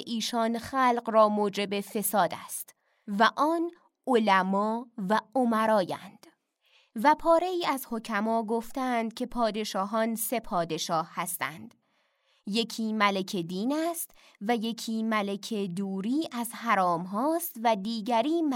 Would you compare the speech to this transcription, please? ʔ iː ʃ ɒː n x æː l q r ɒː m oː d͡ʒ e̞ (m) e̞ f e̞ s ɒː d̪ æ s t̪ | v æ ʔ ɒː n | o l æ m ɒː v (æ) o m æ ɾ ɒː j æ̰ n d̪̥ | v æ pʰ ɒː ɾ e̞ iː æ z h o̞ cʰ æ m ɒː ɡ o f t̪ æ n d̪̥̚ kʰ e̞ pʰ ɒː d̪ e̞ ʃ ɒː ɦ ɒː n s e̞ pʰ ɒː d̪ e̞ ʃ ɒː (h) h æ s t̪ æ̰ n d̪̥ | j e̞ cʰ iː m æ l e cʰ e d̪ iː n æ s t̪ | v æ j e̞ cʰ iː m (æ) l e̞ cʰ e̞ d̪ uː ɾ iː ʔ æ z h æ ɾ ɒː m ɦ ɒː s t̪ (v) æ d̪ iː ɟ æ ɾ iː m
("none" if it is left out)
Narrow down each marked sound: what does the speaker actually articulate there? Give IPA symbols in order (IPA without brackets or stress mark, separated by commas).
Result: b, æ, h, æ, v